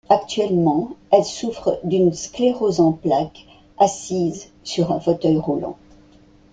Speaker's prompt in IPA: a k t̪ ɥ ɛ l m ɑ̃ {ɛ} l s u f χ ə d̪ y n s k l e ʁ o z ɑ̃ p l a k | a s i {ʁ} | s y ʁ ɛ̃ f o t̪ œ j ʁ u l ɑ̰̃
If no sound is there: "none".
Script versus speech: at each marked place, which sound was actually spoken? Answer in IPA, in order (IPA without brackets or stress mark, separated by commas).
ɛ, z